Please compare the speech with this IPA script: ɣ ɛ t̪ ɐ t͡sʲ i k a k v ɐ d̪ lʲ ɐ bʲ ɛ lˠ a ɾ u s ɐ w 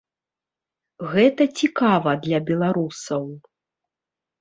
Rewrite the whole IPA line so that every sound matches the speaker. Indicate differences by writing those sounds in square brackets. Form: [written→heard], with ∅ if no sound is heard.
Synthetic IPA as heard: ɣ ɛ t̪ ɐ t͡sʲ i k a [k→∅] v ɐ d̪ lʲ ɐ bʲ ɛ lˠ a ɾ u s ɐ w